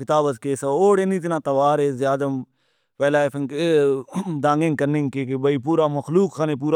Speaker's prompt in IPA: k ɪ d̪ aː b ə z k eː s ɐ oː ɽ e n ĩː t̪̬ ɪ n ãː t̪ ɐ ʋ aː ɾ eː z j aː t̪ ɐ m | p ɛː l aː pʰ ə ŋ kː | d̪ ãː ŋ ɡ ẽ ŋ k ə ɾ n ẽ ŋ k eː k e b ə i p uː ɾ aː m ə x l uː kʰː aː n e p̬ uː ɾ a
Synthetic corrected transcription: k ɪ t̪ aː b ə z k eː s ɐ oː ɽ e n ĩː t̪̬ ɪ n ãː t̪ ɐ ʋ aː ɾ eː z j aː d̪ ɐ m | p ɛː l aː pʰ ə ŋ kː | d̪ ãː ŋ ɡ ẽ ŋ k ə ɾ n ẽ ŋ k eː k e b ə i p uː ɾ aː m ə x l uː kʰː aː n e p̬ uː ɾ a